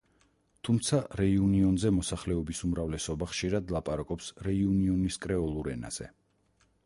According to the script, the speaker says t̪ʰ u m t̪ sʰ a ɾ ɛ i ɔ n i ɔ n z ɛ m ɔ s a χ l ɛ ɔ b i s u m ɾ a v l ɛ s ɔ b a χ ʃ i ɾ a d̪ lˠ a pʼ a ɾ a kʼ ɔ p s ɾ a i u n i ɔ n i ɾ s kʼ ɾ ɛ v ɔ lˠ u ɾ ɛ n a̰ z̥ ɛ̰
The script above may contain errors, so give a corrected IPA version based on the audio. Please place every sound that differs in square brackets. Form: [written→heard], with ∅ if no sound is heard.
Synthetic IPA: t̪ʰ u m t̪ sʰ a ɾ ɛ i [ɔ→u] n i ɔ n z ɛ m ɔ s a χ l ɛ ɔ b i s u m ɾ a v l ɛ s ɔ b a χ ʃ i ɾ a d̪ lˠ a pʼ a ɾ a kʼ ɔ p s ɾ [a→ɛ] i u n i ɔ n i [ɾ→∅] s kʼ ɾ ɛ [v→∅] ɔ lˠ u ɾ ɛ n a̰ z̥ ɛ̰